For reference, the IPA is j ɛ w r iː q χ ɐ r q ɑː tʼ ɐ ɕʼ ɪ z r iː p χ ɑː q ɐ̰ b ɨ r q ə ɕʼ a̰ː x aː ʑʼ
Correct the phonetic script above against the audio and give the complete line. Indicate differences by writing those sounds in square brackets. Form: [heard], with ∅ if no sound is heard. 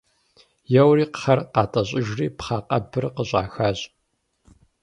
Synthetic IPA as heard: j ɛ w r iː q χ ɐ r q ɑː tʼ ɐ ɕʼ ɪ [ʒ] r iː p χ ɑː q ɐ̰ b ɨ r q ə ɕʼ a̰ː x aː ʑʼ